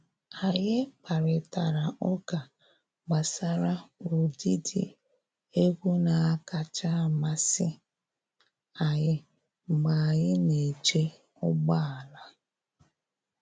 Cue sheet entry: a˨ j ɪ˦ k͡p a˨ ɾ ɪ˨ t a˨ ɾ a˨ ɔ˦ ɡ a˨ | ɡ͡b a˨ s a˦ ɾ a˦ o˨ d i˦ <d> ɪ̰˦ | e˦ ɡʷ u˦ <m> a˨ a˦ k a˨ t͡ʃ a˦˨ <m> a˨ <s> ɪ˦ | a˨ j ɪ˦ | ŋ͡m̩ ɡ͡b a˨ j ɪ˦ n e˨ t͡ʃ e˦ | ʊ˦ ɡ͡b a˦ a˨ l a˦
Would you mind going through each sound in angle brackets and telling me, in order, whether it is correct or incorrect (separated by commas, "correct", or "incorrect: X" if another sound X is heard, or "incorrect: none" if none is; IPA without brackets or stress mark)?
correct, incorrect: n, correct, correct